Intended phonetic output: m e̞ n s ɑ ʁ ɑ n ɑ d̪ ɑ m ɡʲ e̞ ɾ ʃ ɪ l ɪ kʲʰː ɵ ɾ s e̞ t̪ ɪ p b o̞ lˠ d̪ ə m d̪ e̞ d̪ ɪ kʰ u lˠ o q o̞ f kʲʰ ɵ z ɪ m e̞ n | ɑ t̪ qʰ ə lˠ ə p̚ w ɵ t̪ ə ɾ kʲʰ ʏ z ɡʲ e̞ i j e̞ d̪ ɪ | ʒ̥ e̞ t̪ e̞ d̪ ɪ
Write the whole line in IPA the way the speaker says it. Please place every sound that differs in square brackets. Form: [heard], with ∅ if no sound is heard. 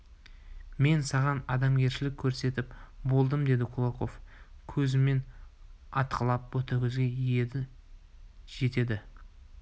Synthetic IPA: m e̞ n s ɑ ʁ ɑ n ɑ d̪ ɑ m ɡʲ e̞ ɾ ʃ ɪ l ɪ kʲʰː ɵ ɾ s e̞ t̪ ɪ p b o̞ lˠ d̪ ə m d̪ e̞ d̪ ɪ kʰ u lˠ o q o̞ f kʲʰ ɵ z ɪ m e̞ n | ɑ t̪ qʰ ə lˠ [ɑ] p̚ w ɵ t̪ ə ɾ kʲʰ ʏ z ɡʲ e̞ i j e̞ d̪ ɪ | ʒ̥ e̞ t̪ e̞ d̪ ɪ